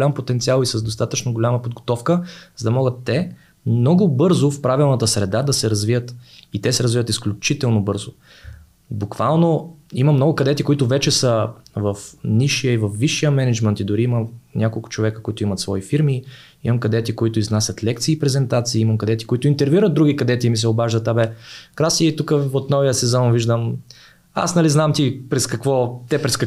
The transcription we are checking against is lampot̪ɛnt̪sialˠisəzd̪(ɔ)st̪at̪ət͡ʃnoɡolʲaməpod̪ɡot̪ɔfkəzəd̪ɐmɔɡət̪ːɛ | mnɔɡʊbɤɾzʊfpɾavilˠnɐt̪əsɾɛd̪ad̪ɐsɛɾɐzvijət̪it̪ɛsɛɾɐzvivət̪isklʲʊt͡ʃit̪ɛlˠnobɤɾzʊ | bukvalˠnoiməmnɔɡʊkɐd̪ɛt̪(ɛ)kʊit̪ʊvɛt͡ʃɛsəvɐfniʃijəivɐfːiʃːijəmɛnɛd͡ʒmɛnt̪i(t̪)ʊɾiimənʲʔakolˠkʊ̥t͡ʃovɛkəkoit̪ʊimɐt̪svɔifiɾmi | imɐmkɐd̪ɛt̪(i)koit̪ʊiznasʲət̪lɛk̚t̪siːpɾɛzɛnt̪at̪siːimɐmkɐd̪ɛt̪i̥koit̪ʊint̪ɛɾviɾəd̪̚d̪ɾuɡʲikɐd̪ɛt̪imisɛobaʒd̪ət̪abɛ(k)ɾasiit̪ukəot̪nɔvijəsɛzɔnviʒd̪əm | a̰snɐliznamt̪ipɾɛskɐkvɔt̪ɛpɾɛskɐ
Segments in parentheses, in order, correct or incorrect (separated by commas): incorrect, incorrect, incorrect, correct, correct